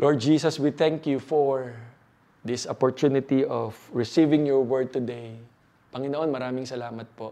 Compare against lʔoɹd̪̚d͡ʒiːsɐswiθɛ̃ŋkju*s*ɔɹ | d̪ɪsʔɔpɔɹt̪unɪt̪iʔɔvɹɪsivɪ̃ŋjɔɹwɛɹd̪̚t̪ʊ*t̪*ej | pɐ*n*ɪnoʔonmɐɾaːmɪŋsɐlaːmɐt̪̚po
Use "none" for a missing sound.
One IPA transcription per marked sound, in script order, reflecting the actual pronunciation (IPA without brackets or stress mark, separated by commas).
f, d̪, ŋ